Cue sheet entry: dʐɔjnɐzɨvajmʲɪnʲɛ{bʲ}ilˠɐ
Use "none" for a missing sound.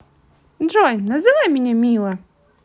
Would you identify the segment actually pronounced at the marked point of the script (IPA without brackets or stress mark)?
mʲ